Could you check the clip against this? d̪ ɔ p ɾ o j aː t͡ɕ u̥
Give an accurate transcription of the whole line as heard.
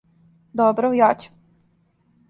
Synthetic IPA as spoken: d̪ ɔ b ɾ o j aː t͡ɕ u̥